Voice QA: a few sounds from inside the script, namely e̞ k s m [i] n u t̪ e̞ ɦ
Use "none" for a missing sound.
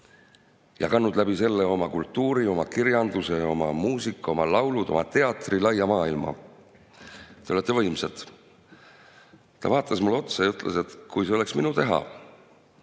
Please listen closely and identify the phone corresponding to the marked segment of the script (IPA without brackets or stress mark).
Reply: i